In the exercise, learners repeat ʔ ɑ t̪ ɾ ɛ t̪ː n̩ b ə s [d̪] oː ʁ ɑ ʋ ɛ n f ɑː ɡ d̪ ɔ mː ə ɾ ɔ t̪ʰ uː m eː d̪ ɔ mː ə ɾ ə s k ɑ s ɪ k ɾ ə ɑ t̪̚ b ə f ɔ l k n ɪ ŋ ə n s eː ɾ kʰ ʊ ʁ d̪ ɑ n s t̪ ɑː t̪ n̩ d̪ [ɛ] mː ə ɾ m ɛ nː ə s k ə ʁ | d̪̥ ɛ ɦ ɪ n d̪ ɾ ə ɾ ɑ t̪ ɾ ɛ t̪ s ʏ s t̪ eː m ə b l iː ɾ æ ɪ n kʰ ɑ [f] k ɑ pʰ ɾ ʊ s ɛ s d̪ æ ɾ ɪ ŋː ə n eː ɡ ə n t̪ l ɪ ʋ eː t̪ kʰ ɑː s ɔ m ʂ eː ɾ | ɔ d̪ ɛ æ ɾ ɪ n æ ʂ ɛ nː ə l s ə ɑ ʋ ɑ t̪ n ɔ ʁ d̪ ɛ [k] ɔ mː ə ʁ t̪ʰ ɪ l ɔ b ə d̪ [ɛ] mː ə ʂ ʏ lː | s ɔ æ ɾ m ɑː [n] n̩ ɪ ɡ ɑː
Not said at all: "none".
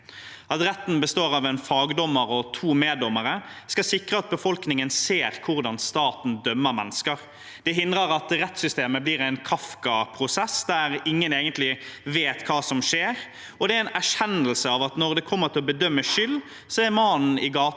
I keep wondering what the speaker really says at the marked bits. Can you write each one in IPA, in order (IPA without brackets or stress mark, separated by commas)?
t̪, œ, f, kʰ, œ, n